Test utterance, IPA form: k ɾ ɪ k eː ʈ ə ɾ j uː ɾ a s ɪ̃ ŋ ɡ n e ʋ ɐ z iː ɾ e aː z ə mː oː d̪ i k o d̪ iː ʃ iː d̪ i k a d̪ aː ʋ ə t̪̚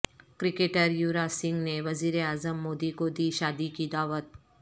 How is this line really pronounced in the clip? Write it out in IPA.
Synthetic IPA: k ɾ ɪ k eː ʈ ə ɾ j uː ɾ a s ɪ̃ ŋ ɡ n e ʋ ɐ z iː ɾ e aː z ə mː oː d̪ i k o d̪ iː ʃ aː d̪ i k i d̪ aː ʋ ə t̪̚